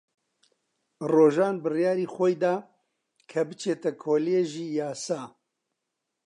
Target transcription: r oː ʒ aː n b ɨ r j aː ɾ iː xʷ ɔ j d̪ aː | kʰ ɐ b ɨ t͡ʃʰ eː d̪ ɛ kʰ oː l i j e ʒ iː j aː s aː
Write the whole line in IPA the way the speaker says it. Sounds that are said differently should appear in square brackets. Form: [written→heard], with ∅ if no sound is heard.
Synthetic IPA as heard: r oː ʒ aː n b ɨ r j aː ɾ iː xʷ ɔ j d̪ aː | kʰ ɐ b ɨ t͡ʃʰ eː [d̪→t̪] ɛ kʰ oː l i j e ʒ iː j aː s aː